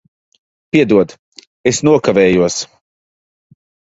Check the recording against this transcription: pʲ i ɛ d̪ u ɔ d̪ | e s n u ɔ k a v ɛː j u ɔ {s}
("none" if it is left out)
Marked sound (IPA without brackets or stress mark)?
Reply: s